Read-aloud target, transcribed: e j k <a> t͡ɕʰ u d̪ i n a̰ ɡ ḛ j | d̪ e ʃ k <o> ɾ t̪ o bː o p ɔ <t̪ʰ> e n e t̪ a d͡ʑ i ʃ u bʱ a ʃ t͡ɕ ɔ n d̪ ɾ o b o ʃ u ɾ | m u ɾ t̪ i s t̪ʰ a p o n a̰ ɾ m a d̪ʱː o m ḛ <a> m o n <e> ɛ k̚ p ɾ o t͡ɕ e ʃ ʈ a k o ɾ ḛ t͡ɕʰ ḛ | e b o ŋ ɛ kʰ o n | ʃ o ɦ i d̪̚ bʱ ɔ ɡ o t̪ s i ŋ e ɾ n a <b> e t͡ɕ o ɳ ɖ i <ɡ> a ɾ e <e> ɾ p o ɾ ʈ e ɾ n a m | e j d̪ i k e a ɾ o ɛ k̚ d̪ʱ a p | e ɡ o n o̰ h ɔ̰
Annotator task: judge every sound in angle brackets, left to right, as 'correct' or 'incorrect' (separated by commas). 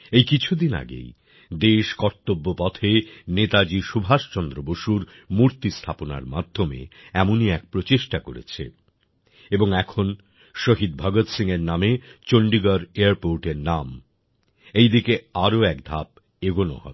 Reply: incorrect, incorrect, correct, incorrect, incorrect, incorrect, correct, incorrect